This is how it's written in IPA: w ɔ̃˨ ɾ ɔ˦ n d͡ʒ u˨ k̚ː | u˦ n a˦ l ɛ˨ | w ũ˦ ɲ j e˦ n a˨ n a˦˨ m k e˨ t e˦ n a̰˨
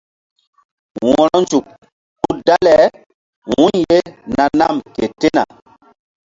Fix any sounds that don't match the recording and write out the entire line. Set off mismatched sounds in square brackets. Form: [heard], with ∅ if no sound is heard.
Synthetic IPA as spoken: w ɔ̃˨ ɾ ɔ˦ n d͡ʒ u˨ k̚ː | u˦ [d] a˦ l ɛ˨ | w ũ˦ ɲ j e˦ n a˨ n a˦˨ m k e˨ t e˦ n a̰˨

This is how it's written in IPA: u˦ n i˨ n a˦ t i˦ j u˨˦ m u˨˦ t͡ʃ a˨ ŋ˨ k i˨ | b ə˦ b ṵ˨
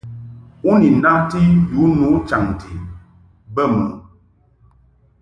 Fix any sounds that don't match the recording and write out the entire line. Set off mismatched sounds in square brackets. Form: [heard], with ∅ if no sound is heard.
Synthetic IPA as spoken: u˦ n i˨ n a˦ t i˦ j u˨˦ [n] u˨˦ t͡ʃ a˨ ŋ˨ [t] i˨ | b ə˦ [m] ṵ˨

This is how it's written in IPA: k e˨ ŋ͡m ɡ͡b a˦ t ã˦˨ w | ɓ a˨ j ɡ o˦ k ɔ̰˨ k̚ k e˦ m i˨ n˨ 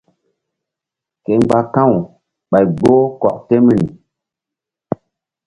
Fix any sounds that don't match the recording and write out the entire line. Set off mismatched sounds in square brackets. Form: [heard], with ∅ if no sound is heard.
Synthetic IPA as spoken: k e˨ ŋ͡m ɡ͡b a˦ [k] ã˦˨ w | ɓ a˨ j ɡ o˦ k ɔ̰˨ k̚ [t] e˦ m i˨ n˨

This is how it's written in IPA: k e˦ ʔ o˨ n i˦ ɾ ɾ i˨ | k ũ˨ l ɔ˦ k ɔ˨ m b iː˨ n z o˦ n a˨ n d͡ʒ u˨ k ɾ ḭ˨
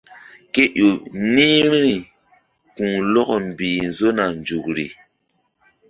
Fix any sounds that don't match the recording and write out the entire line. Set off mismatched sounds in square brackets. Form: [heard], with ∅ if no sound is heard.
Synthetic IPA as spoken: k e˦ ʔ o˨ n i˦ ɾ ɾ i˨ | k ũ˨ l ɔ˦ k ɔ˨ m b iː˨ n z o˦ n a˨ n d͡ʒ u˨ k ɾ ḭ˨

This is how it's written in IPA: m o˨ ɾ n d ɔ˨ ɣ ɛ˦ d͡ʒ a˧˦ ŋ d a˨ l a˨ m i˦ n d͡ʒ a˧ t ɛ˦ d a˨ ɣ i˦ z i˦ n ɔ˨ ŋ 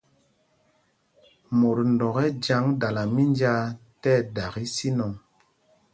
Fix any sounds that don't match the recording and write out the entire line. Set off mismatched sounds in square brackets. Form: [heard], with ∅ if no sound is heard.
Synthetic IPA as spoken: m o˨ ɾ n d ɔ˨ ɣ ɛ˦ d͡ʒ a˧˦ ŋ d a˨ l a˨ m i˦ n d͡ʒ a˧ t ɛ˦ d a˨ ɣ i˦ [s] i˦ n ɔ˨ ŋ

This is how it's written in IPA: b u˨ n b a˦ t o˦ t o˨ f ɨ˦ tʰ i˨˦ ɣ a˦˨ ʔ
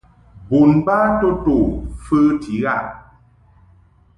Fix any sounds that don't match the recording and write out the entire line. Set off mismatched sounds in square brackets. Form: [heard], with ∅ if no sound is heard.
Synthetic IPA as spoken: b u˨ n b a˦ t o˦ t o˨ f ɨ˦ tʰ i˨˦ ɣ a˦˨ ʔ

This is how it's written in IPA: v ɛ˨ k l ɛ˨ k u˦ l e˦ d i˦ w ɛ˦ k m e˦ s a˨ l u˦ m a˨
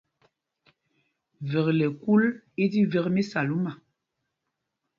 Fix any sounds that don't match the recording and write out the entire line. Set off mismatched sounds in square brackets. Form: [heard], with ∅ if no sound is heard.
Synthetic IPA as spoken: v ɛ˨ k l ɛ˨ k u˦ l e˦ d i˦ [v] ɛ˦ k m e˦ s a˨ l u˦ m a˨

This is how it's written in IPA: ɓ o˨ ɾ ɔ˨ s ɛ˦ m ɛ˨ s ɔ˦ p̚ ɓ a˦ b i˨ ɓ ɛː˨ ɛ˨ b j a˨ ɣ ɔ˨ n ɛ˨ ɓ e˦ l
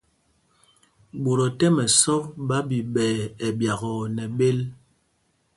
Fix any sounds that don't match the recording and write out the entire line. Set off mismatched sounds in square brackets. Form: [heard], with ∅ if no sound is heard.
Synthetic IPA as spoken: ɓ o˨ ɾ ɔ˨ [t] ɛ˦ m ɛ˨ s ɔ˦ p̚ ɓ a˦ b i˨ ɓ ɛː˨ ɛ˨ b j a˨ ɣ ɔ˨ n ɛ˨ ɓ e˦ l

